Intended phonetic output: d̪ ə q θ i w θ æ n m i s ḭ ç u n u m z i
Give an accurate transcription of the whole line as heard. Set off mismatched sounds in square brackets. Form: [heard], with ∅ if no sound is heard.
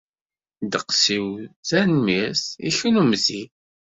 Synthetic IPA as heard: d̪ ə q [s] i w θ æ n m i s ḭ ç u n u m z i